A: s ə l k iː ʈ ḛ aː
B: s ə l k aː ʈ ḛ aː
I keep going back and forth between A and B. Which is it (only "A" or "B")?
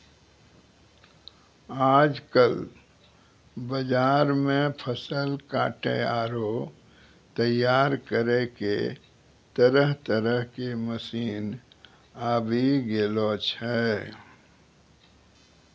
B